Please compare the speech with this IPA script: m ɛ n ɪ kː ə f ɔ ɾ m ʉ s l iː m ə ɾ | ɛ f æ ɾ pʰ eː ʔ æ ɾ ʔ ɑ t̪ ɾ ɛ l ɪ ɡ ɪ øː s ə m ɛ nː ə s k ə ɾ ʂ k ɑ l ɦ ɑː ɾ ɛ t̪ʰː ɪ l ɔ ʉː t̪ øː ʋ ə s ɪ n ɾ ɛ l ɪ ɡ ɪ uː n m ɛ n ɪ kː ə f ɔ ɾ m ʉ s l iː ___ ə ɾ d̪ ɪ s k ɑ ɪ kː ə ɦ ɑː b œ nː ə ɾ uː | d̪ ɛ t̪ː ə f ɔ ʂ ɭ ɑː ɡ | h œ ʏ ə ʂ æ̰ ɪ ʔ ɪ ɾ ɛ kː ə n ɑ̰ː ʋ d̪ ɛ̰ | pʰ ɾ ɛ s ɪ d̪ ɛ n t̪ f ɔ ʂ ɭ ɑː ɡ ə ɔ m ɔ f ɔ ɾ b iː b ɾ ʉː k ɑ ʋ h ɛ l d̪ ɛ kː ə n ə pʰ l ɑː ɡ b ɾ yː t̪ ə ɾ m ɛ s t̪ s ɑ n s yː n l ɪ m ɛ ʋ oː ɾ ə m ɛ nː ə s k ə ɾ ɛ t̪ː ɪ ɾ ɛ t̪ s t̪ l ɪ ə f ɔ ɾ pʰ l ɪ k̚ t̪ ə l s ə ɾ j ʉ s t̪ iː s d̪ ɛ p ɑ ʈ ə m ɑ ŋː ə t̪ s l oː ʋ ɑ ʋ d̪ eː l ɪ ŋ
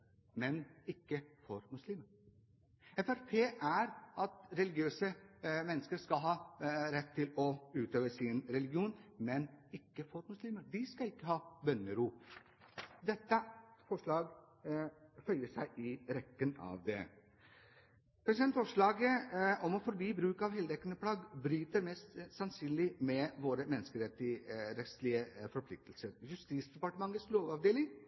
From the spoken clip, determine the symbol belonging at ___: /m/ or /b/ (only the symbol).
m